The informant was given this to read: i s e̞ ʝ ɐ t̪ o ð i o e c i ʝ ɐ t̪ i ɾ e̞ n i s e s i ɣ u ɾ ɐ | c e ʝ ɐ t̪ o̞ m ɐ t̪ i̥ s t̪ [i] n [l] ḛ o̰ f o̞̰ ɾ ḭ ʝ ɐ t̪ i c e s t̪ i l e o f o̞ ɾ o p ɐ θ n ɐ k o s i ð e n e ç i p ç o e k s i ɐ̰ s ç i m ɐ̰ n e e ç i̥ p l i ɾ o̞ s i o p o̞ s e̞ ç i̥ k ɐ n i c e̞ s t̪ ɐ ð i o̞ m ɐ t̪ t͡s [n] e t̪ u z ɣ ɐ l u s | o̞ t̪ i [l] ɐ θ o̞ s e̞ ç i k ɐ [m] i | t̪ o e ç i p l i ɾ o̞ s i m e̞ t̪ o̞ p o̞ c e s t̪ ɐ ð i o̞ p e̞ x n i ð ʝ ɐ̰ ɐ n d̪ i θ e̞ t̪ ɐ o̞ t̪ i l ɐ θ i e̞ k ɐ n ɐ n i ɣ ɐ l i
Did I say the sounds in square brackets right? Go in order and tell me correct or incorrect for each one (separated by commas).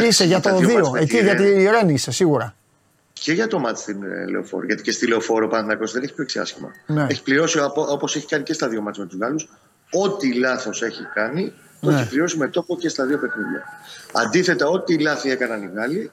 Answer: correct, correct, incorrect, correct, incorrect